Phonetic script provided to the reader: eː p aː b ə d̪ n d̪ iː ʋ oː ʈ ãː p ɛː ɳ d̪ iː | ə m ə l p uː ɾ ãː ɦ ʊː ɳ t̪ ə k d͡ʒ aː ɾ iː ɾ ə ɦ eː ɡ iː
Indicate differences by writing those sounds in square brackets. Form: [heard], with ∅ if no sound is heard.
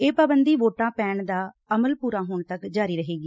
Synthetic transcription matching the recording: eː p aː b ə [∅] n d̪ iː ʋ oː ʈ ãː p ɛː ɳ d̪ [aː] | ə m ə l p uː ɾ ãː ɦ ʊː ɳ t̪ ə k d͡ʒ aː ɾ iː ɾ ə ɦ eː ɡ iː